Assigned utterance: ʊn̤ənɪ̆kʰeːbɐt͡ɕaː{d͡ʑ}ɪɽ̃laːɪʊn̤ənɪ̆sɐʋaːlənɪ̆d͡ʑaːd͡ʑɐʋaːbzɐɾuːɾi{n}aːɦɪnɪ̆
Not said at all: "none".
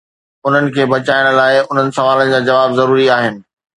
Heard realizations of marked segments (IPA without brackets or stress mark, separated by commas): none, none